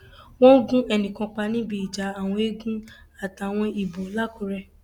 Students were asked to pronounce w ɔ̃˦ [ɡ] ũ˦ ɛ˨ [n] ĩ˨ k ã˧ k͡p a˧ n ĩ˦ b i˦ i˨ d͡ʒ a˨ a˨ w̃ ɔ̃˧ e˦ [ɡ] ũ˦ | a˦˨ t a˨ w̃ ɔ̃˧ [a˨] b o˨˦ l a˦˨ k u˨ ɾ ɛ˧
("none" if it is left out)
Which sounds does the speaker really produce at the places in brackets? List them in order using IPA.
ɡ, n, ɡ, i˨

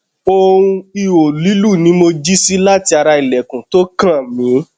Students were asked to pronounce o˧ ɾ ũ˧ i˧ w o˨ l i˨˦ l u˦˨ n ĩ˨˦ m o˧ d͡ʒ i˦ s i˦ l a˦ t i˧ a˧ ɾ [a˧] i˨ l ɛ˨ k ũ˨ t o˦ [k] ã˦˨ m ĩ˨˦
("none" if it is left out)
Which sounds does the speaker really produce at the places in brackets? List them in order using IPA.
a˧, k

